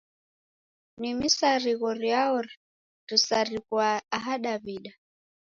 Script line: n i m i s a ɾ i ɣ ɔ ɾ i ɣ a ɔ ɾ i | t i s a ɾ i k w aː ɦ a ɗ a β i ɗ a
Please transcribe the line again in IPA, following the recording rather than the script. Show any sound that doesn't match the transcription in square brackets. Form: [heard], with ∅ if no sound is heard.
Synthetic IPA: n i m i s a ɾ i ɣ ɔ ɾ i [∅] a ɔ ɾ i | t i s a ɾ i k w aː ɦ a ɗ a β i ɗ a